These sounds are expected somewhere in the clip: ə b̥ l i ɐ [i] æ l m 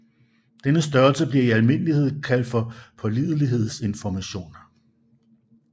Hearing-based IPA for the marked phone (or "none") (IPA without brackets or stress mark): i